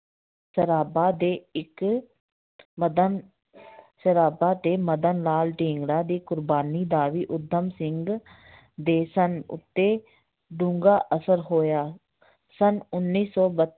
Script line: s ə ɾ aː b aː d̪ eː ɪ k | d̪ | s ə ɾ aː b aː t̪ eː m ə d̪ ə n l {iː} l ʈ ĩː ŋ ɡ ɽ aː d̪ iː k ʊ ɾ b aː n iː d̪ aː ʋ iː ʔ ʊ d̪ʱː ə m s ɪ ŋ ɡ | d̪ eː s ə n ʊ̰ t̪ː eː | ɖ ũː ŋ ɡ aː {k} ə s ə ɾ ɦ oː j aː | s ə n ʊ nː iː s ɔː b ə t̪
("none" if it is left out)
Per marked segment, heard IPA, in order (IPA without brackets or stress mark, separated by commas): aː, ʔ